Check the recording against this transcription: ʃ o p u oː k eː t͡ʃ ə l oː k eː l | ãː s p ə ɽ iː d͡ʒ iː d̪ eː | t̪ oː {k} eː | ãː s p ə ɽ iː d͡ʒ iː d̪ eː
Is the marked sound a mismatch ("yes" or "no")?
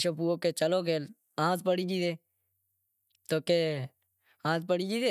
no